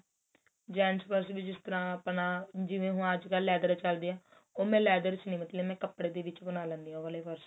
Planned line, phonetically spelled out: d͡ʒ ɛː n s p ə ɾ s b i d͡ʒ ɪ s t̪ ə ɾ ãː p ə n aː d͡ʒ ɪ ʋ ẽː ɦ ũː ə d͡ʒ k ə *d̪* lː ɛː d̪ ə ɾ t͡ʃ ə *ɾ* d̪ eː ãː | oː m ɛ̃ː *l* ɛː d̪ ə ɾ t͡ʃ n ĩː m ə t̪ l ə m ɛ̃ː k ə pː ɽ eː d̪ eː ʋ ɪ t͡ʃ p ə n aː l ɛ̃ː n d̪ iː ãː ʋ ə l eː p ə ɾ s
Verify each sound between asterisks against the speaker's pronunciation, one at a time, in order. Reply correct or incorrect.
incorrect: none, incorrect: l, correct

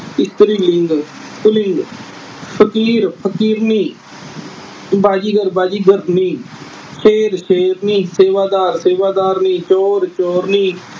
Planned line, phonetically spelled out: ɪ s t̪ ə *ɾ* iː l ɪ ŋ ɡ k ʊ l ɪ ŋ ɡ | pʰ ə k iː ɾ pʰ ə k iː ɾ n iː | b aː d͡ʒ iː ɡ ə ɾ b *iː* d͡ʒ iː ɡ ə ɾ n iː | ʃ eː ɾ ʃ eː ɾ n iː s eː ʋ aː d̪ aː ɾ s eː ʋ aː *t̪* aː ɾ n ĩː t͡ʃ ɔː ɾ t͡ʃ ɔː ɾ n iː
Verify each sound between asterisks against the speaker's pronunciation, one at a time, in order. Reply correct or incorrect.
correct, incorrect: aː, incorrect: d̪

